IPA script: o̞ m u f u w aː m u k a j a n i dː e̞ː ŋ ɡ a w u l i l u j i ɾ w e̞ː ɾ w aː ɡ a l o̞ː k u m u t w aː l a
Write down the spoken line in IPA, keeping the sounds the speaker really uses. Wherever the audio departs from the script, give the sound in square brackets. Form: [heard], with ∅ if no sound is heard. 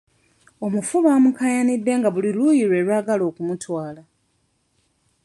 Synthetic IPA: o̞ m u f u [β] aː m u k a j a n i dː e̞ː ŋ ɡ a [β] u l i l u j i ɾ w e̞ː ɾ w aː ɡ a l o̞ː k u m u t w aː l a